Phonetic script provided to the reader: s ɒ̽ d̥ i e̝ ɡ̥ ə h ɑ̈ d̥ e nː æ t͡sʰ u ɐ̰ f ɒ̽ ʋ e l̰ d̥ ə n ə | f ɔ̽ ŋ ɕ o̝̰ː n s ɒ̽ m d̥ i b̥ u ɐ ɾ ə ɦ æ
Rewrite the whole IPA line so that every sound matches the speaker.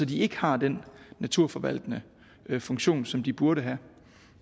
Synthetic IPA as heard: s ɒ̽ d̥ i e̝ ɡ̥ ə h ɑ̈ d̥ e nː æ t͡sʰ u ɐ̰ f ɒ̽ ʋ æ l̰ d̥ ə n ə | f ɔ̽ ŋ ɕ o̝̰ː n s ɒ̽ m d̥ i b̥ u ɐ ɾ ə ɦ æ